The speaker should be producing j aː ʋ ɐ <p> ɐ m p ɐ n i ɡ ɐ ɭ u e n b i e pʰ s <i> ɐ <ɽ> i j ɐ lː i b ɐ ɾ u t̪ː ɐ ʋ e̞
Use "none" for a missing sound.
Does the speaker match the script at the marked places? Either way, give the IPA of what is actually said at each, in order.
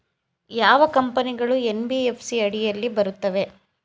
k, i, ɽ

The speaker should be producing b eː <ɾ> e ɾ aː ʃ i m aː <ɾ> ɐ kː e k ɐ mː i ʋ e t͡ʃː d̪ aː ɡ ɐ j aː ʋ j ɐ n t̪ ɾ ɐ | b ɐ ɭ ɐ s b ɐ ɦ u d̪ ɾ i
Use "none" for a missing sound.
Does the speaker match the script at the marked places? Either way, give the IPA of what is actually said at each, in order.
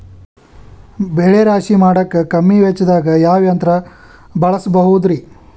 ɭ, ɽ

